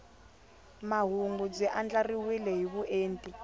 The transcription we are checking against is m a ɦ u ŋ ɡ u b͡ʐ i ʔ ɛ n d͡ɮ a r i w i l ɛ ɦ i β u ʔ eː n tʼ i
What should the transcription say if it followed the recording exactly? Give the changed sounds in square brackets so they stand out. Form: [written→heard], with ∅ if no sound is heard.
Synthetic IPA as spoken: m a ɦ u ŋ ɡ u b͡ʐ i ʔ [ɛ→a] n d͡ɮ a r i w i l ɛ ɦ i β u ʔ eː n tʼ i